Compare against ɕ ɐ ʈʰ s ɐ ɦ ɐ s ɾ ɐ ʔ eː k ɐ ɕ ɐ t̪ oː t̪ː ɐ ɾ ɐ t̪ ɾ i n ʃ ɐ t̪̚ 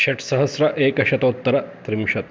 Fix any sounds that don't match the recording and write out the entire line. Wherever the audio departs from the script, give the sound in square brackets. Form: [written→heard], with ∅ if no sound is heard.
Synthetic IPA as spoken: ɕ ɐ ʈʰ s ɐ ɦ ɐ s ɾ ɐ ʔ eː k ɐ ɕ ɐ t̪ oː t̪ː ɐ ɾ ɐ t̪ ɾ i [n→m] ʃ ɐ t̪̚